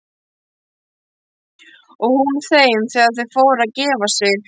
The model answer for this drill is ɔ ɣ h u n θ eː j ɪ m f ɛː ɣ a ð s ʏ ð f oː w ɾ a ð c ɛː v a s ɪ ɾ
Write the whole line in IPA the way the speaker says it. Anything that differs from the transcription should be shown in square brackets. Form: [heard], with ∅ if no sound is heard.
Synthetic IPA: ɔ ɣ h u n θ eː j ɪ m [θ] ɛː ɣ a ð [θ] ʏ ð f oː w ɾ a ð c ɛː v a s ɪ ɾ